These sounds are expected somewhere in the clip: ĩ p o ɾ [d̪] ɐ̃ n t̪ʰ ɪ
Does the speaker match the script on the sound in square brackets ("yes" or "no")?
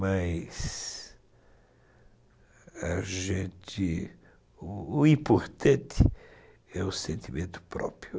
no